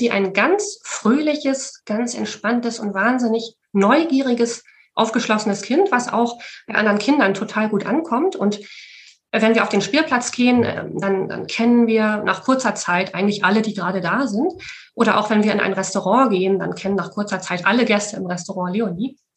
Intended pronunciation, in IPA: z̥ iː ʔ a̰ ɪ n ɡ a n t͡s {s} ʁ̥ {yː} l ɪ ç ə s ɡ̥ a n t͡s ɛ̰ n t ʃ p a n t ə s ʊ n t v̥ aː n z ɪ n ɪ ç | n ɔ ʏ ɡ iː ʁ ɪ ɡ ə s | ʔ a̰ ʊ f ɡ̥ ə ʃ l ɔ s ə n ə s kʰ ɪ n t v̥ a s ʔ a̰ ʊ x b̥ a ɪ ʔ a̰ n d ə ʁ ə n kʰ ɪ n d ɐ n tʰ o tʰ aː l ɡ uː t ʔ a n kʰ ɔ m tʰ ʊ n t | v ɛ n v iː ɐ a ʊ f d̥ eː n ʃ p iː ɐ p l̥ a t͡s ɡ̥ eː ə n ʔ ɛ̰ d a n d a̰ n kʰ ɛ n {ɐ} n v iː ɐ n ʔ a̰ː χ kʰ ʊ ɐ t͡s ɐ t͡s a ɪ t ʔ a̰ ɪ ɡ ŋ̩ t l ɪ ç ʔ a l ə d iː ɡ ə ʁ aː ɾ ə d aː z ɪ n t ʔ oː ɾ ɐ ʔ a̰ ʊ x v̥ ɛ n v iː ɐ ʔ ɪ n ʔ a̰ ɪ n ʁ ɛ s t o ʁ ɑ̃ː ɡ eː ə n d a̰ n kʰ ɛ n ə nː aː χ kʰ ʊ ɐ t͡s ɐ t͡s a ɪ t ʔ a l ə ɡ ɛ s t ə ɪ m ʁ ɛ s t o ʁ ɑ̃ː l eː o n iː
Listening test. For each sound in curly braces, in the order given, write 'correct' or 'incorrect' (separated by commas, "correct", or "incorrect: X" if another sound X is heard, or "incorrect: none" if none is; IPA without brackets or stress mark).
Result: incorrect: f, incorrect: øː, incorrect: ə